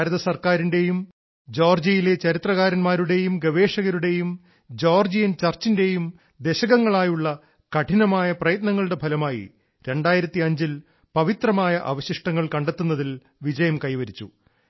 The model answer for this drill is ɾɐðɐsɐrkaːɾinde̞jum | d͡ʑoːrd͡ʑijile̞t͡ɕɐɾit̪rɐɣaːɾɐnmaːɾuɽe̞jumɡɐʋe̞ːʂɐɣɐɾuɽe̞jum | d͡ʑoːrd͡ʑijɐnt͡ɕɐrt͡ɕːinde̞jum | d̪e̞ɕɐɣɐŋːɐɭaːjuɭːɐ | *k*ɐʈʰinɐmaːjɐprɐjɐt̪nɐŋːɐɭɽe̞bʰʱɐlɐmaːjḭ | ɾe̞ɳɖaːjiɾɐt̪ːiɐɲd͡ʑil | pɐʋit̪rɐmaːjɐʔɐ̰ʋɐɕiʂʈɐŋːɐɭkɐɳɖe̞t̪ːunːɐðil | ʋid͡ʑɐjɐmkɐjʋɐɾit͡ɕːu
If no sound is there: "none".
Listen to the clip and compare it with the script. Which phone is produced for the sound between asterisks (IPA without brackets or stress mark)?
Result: k